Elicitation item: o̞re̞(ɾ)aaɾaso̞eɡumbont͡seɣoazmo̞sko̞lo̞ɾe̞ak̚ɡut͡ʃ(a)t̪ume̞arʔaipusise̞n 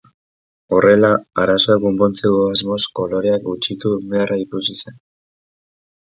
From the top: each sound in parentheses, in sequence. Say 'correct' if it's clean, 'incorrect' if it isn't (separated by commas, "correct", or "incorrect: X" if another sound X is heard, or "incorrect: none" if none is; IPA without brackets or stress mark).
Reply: incorrect: l, incorrect: i